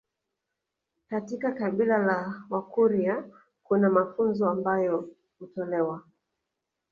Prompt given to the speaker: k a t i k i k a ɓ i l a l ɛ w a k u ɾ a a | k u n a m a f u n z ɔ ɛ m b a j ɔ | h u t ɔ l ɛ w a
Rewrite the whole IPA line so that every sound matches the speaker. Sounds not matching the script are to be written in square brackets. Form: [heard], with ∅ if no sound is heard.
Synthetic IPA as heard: k a t i k [a] k a ɓ i l a l [a] w a k u ɾ [i] a | k u n a m a f u n z ɔ [a] m b a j ɔ | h u t ɔ l ɛ w a